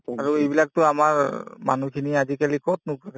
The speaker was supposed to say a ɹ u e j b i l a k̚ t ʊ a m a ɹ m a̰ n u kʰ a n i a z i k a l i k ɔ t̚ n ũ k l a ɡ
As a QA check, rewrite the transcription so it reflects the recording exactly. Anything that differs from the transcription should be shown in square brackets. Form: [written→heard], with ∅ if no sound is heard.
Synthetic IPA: a ɹ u e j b i l a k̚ t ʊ a m a ɹ m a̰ n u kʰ [a→i] n i a z i k a l i k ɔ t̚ n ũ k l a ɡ

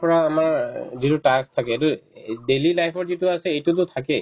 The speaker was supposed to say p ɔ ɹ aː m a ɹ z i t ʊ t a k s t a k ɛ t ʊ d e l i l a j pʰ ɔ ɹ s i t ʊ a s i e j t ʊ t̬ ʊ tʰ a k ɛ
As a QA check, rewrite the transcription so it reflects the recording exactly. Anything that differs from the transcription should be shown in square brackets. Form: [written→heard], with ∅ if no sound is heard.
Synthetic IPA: p ɔ ɹ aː m a ɹ z i t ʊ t a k s [t→tʰ] a k ɛ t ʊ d e l i l a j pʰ ɔ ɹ [s→z] i t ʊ a s [i→ɛ] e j t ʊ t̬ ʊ tʰ a k ɛ

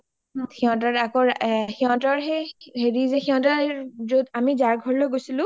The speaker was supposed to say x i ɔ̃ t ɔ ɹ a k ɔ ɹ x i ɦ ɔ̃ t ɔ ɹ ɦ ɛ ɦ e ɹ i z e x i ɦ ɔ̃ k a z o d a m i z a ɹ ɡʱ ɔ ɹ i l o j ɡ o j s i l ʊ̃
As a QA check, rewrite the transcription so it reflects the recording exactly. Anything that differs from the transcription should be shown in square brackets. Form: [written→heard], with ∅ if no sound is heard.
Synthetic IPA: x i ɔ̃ t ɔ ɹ a k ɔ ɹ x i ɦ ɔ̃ t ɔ ɹ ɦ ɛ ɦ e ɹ i z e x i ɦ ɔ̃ [k→t] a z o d a m i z a ɹ ɡʱ ɔ ɹ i l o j ɡ o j s i l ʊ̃

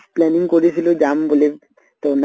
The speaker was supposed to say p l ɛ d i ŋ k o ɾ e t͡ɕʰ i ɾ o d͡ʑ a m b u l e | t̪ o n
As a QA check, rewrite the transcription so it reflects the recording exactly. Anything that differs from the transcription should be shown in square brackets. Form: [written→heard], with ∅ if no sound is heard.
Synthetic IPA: p l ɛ [d→n] i ŋ k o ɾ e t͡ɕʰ i [ɾ→l] o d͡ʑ a m b [u→o] l e | t̪ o n

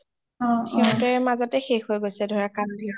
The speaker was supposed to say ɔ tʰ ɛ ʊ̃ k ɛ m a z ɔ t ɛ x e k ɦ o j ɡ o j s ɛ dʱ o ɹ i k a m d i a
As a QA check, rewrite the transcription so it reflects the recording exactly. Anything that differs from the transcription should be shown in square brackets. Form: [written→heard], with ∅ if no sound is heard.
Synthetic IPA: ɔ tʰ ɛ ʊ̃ [k→t] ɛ m a z ɔ t ɛ x e [k→x] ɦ o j ɡ o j s ɛ dʱ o ɹ [i→a] k a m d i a

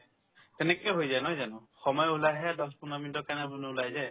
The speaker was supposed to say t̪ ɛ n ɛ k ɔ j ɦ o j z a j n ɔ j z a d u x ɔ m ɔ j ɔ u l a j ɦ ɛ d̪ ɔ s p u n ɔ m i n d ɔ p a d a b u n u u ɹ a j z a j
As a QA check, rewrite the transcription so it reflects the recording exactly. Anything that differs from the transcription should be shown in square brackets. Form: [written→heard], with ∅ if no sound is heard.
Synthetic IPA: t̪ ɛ n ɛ k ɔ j ɦ o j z a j n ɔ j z a [d→n] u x ɔ m ɔ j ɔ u l a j ɦ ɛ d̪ ɔ s p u n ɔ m i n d ɔ [p→k] a [d→n] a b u n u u [ɹ→l] a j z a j

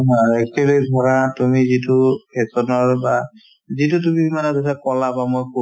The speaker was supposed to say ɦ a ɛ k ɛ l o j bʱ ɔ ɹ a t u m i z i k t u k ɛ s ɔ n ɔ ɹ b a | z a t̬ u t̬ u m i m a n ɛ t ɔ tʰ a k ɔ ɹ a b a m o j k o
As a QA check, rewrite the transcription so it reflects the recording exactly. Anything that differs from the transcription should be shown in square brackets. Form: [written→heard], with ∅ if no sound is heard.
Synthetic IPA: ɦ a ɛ k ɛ l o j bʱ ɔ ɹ a t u m i z i [k→∅] t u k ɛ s ɔ n ɔ ɹ b a | z [a→i] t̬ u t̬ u m i m a n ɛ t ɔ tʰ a k ɔ [ɹ→l] a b a m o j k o

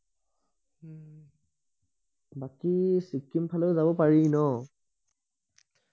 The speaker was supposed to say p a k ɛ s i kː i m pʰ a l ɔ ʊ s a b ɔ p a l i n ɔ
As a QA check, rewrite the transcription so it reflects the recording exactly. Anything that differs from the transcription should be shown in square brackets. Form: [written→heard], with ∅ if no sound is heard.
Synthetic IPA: [p→b] a k [ɛ→i] s i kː i m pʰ a l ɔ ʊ [s→z] a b ɔ p a [l→ɹ] i n ɔ

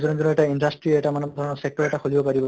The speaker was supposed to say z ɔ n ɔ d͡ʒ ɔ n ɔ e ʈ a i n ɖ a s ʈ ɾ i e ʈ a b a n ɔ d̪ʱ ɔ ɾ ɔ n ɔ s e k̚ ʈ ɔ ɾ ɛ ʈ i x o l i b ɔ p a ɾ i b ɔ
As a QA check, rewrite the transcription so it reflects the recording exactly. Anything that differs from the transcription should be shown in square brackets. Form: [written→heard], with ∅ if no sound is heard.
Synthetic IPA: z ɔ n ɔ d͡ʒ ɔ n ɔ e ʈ a i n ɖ a s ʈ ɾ i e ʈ a [b→m] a n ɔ d̪ʱ ɔ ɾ ɔ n ɔ s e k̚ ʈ ɔ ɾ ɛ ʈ [i→a] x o l i b ɔ p a ɾ i b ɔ

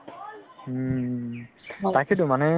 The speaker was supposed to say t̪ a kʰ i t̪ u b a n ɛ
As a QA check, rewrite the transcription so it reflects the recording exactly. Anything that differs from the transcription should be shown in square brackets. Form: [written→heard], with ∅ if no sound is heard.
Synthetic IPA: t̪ a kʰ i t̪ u [b→m] a n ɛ

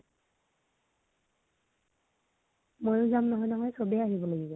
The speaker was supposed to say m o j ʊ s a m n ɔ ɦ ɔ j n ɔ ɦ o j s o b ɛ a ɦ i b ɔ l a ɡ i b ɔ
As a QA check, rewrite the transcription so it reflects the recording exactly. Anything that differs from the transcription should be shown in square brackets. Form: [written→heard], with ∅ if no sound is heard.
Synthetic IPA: m o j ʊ [s→z] a m n ɔ ɦ ɔ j n ɔ ɦ [o→ɔ] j s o b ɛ a ɦ i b ɔ l a ɡ i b ɔ

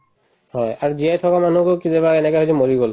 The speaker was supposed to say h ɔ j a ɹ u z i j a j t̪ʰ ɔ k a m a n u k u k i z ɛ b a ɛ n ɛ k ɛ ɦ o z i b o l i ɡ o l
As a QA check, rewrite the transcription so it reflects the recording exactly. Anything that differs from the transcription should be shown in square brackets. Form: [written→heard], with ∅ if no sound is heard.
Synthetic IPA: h ɔ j a ɹ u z i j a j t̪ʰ ɔ k a m a n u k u k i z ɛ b a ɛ n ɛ k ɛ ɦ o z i [b→m] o [l→ɹ] i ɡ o l

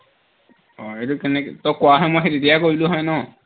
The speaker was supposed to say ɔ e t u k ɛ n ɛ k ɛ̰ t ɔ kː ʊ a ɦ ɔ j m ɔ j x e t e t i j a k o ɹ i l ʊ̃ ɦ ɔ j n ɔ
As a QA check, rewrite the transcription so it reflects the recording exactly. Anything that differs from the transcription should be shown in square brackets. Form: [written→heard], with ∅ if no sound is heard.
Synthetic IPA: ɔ e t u k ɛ n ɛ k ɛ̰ t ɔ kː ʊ a ɦ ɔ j m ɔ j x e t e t i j a k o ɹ i l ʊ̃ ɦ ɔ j n ɔ

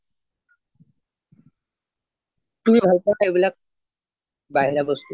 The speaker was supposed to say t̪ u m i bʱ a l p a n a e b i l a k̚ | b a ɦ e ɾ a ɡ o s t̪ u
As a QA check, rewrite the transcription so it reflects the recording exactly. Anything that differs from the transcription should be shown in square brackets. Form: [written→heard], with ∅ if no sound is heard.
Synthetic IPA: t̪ u m i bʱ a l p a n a e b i l a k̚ | b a ɦ [e→i] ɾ a [ɡ→b] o s t̪ u

